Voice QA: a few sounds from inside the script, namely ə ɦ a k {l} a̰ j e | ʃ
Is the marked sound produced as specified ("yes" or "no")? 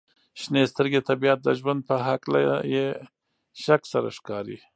yes